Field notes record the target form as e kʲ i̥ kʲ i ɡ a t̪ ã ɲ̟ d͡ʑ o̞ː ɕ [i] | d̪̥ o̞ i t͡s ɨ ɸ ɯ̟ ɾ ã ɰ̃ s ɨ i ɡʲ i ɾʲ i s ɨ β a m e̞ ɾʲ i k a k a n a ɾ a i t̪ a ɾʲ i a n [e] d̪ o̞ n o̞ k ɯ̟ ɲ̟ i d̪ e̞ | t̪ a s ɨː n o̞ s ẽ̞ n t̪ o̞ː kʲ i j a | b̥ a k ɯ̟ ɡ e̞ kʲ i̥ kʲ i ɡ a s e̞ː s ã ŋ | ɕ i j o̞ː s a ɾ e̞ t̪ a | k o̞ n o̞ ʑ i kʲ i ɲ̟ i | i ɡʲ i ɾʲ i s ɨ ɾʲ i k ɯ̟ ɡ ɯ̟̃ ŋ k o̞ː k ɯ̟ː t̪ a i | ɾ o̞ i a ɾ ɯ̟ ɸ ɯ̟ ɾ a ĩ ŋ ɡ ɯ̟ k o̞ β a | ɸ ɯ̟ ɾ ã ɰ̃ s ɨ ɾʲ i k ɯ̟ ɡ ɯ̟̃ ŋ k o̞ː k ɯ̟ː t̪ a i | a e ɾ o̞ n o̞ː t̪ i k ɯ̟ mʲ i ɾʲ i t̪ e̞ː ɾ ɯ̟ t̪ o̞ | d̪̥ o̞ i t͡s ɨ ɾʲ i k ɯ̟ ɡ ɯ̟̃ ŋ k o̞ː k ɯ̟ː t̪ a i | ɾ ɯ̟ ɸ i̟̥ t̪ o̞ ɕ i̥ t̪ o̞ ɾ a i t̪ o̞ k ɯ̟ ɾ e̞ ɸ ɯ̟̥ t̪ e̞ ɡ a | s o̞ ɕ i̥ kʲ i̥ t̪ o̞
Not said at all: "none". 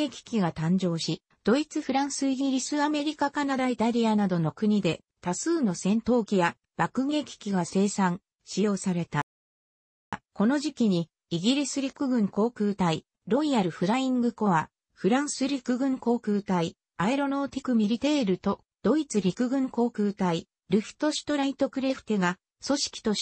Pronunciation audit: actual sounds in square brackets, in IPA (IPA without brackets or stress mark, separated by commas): i, a